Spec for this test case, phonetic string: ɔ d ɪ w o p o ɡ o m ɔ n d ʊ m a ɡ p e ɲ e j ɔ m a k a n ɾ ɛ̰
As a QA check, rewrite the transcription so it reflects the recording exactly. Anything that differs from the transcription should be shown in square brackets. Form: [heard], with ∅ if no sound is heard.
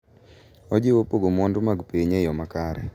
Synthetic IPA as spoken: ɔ [d͡ʒ] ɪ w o p o ɡ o m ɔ n d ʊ m a ɡ p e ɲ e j ɔ m a k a [∅] ɾ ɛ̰